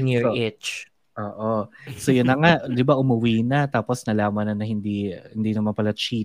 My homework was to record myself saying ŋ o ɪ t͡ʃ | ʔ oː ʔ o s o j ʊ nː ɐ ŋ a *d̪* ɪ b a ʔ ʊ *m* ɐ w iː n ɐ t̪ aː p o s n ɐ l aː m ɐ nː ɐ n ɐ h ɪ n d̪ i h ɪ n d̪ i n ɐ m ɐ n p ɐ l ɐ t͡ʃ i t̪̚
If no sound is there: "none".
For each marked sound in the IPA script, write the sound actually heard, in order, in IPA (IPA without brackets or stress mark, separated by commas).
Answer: d̪, m